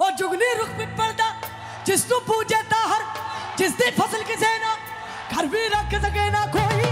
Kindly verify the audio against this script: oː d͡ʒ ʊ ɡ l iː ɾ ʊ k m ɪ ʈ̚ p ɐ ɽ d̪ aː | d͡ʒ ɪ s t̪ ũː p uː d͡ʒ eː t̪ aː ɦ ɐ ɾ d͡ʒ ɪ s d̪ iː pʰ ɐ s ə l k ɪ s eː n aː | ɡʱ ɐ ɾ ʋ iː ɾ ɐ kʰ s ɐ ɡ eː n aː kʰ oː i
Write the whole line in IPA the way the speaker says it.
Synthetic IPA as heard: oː d͡ʒ ʊ ɡ l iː ɾ ʊ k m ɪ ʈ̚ p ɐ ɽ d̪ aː | d͡ʒ ɪ s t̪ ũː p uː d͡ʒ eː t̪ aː ɦ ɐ ɾ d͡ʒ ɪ s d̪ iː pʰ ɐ s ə l k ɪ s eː n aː | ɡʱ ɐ ɾ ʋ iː ɾ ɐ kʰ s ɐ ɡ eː n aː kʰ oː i